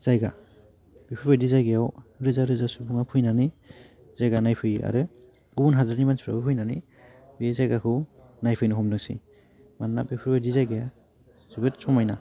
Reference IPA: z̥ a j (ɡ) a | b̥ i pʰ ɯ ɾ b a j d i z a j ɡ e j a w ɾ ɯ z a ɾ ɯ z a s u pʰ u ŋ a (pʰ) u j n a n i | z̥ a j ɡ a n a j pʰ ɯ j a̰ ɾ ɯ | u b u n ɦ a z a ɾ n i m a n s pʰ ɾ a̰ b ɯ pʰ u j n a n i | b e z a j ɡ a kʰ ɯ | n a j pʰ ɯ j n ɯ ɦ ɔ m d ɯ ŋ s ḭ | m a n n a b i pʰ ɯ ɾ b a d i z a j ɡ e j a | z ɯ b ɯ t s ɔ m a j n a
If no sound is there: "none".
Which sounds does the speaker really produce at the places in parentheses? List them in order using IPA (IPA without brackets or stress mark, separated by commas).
ɡ, pʰ